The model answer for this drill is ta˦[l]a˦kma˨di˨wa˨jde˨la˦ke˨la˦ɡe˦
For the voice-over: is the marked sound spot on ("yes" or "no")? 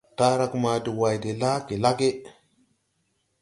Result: no